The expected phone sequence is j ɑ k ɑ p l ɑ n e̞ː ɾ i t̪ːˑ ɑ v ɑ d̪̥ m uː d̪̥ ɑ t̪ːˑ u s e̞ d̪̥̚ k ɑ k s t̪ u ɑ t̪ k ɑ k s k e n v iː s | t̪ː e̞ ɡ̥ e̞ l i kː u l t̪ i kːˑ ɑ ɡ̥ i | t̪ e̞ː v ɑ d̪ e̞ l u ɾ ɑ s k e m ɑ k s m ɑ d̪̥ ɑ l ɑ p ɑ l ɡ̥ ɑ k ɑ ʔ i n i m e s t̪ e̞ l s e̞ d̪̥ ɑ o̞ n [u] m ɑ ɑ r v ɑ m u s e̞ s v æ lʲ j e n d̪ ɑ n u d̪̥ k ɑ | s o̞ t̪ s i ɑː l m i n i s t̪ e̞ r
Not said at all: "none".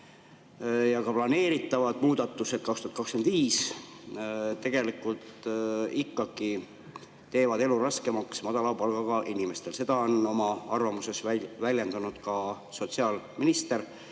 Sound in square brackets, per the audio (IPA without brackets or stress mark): o